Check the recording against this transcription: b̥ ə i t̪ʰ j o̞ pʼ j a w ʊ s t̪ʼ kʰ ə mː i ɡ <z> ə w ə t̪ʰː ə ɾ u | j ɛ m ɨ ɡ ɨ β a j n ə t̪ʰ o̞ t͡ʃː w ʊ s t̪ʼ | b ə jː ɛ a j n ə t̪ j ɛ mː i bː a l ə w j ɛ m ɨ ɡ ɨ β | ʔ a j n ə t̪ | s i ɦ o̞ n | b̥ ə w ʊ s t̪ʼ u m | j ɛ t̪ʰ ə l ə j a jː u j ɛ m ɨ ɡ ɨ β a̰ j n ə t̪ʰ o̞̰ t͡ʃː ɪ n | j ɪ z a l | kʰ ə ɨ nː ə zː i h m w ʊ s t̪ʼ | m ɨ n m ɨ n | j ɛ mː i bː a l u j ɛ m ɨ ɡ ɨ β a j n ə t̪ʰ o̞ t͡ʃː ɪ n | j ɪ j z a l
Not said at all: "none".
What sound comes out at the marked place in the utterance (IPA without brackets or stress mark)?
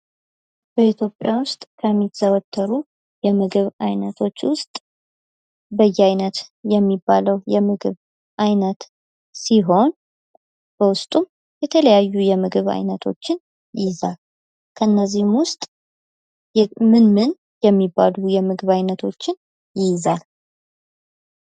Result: z